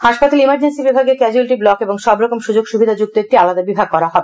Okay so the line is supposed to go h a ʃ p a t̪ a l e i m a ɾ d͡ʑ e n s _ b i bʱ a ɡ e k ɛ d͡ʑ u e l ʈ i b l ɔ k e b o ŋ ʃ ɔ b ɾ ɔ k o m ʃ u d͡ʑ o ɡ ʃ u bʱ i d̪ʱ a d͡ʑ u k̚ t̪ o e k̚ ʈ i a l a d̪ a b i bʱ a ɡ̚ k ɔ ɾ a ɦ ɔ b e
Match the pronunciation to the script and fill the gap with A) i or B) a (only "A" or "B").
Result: A